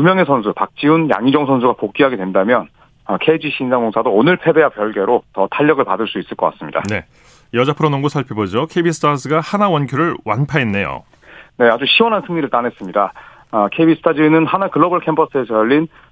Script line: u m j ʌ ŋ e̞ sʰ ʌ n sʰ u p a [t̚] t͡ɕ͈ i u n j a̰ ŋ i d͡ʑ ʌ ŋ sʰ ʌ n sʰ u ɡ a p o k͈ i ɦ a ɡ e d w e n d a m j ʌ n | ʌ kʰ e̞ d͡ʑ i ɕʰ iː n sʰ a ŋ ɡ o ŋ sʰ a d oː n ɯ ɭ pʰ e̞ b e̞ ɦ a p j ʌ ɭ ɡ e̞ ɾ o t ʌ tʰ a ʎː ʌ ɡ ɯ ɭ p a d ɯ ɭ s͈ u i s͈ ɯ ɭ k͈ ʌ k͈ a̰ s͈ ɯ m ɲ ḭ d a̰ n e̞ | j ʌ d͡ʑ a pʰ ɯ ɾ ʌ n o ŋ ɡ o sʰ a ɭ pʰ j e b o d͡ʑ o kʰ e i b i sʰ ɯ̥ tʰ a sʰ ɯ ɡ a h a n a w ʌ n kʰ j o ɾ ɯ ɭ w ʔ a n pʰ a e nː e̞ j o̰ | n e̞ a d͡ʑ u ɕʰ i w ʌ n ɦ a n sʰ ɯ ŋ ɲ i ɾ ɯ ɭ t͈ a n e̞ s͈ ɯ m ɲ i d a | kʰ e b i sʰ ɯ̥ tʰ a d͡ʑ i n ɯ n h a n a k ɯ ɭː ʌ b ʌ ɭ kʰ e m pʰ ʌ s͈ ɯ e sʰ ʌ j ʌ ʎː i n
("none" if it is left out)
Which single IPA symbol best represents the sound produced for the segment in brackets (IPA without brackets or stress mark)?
k̚